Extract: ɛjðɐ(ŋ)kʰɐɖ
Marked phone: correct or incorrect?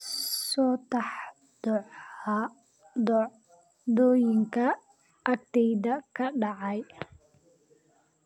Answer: incorrect